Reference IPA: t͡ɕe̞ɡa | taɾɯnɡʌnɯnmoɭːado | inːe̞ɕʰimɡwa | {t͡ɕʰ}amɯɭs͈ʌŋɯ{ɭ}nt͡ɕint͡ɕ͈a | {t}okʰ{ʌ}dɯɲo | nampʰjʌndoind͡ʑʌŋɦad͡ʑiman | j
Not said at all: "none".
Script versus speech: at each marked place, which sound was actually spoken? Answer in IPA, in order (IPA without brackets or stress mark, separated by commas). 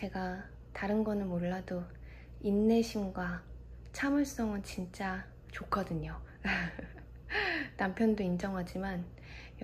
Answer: t͡ɕʰ, none, t͡ɕ, ʌ